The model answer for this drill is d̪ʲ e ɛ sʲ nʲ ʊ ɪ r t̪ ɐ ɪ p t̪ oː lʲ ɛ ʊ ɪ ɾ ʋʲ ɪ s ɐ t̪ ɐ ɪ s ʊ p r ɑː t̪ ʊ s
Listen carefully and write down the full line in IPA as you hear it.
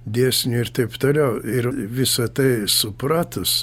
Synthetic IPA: d̪ʲ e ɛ sʲ nʲ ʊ ɪ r t̪ ɐ ɪ p t̪ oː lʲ ɛ ʊ ɪ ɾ ʋʲ ɪ s ɐ t̪ ɐ ɪ s ʊ p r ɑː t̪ ʊ s